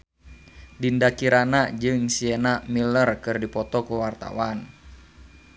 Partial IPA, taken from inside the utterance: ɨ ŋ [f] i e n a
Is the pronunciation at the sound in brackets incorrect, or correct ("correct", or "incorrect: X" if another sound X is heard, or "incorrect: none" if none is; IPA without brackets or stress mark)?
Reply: incorrect: s